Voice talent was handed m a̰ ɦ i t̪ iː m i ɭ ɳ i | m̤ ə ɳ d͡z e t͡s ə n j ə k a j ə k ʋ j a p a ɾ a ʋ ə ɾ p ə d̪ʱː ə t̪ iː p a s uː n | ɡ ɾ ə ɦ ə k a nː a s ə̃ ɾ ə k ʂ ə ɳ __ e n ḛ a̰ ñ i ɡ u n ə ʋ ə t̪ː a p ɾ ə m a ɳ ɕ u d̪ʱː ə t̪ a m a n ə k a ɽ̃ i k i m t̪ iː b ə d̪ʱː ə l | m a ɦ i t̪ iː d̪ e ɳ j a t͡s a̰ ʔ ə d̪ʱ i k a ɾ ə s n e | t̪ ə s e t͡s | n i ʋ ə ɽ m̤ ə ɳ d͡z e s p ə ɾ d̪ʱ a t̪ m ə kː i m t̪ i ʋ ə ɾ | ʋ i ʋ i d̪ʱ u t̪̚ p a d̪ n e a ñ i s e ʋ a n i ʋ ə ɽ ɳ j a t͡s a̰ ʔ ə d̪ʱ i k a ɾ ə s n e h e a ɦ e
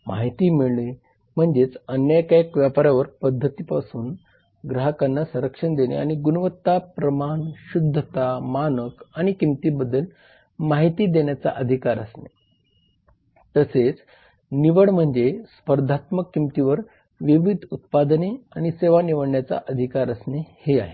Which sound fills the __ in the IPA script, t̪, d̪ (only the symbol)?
d̪